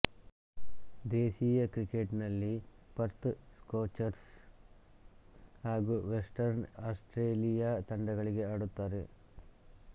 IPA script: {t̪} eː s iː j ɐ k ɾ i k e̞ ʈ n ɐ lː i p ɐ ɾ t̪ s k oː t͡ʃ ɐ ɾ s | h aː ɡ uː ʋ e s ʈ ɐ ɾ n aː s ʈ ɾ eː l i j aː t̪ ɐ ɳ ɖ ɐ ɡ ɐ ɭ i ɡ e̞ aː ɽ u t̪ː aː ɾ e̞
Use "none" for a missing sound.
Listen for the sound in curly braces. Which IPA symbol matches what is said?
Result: d̪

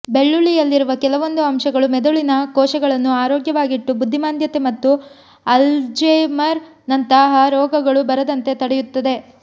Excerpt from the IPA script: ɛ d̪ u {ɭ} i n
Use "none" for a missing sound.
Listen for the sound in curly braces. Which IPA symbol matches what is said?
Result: ɭ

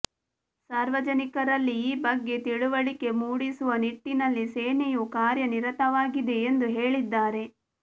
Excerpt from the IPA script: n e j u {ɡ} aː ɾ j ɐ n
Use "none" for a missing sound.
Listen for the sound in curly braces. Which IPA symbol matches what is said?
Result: k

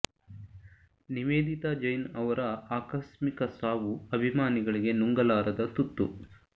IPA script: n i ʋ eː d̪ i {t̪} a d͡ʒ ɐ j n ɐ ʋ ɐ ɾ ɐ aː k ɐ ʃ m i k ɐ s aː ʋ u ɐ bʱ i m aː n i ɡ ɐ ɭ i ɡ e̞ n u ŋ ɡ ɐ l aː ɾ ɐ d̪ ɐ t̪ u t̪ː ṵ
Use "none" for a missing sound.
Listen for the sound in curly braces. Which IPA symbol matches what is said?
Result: t̪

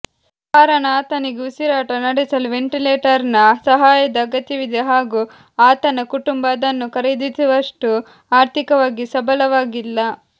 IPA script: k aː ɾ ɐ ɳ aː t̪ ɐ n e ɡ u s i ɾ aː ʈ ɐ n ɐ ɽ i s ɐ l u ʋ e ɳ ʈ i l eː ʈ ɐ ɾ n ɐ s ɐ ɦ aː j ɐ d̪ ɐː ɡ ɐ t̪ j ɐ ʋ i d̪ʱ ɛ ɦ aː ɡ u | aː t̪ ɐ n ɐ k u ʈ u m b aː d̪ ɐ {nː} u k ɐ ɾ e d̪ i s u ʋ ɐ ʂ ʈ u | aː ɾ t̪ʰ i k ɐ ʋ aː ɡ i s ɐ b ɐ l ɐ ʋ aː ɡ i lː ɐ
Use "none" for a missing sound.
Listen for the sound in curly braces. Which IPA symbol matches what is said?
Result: nː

